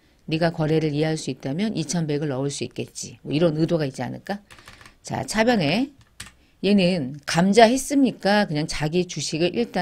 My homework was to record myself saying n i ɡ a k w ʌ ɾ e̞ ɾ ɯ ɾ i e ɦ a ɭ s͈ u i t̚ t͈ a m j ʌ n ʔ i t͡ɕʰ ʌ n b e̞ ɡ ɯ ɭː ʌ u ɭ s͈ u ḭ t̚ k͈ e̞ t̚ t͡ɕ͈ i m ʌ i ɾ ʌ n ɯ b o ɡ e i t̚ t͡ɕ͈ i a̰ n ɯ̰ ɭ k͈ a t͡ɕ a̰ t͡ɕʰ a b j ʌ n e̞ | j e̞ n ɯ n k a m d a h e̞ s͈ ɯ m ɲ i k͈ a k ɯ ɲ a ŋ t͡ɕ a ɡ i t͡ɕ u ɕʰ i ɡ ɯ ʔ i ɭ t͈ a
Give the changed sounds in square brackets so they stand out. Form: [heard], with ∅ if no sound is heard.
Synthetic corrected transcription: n i ɡ a k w ʌ ɾ e̞ ɾ ɯ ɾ i e ɦ a ɭ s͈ u i t̚ t͈ a m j ʌ n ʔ i t͡ɕʰ ʌ n b e̞ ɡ ɯ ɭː ʌ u ɭ s͈ u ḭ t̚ k͈ e̞ t̚ t͡ɕ͈ i m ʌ i ɾ ʌ n ɯ [d] o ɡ [a] i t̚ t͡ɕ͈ i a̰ n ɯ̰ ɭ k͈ a t͡ɕ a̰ t͡ɕʰ a b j ʌ n e̞ | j e̞ n ɯ n k a m [d͡ʑ] a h e̞ s͈ ɯ m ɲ i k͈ a k ɯ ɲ a ŋ t͡ɕ a ɡ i t͡ɕ u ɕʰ i ɡ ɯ ʔ i ɭ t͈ a